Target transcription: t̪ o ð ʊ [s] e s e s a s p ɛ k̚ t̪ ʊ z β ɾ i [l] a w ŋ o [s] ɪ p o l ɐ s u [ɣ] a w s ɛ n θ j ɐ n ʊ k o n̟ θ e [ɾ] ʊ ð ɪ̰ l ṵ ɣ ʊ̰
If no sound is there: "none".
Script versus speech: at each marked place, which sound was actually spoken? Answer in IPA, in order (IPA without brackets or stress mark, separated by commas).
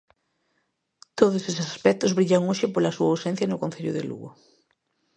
s, ʎ, ʃ, none, ʎ